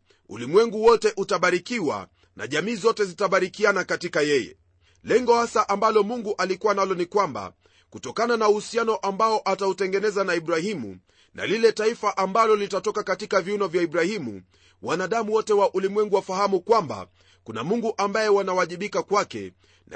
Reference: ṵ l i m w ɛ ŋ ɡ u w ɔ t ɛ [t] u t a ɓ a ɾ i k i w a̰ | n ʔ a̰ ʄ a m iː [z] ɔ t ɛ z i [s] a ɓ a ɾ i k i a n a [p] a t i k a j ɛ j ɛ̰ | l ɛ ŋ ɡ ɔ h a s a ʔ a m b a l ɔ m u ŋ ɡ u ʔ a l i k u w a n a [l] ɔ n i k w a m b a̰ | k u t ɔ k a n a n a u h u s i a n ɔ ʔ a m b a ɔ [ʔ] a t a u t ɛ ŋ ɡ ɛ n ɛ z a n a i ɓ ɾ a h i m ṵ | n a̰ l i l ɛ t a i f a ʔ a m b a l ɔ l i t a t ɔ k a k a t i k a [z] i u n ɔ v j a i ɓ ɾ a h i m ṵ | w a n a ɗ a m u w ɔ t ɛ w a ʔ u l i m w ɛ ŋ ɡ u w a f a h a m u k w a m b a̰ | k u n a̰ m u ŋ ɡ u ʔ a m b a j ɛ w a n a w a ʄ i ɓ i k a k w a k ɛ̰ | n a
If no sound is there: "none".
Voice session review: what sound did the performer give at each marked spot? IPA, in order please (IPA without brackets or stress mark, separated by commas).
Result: ʔ, z, t, k, l, ʔ, v